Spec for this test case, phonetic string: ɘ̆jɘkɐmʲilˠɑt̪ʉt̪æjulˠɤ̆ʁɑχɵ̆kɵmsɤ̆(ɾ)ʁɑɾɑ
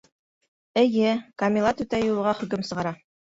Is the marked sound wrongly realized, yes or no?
yes